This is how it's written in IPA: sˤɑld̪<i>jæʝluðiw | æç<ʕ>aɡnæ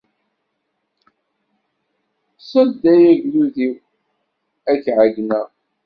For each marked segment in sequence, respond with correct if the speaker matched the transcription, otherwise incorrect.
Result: incorrect: æ, correct

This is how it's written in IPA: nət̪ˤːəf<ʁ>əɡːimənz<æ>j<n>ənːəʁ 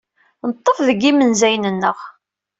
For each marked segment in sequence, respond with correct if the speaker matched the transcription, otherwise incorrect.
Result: incorrect: ð, correct, correct

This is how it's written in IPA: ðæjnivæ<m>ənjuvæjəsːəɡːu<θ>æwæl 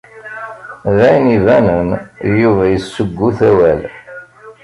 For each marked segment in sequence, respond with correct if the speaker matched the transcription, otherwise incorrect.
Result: incorrect: n, correct

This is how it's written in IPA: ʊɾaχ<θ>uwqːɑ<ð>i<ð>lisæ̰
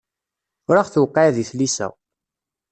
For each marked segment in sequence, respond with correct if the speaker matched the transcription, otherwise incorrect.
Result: correct, correct, incorrect: θ

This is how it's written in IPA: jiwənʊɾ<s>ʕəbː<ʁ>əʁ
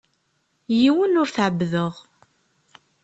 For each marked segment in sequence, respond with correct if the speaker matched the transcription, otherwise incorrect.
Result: incorrect: θ, incorrect: ð

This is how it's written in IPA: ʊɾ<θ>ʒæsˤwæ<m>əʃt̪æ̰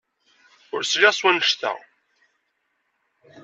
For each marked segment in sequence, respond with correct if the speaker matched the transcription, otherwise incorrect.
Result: incorrect: s, incorrect: n

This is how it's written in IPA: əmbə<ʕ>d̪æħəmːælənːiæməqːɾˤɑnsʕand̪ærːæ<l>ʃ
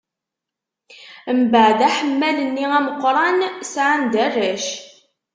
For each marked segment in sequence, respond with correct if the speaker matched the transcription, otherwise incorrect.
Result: correct, incorrect: none

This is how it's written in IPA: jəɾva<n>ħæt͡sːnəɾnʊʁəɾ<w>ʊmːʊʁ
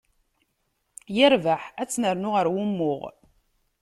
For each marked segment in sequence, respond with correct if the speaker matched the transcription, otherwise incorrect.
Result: incorrect: none, correct

